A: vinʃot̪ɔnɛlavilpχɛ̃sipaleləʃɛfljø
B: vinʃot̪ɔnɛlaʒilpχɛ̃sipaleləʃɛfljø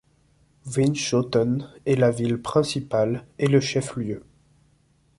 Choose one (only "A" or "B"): A